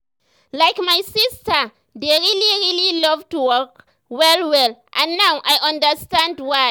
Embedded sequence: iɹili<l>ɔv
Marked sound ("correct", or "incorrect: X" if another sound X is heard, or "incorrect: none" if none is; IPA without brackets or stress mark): correct